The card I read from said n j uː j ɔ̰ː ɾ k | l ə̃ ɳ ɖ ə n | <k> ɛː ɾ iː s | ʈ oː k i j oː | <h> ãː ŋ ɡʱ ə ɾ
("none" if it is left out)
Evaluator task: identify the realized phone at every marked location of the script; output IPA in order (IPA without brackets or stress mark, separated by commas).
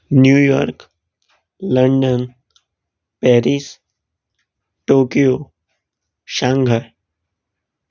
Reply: p, ʃ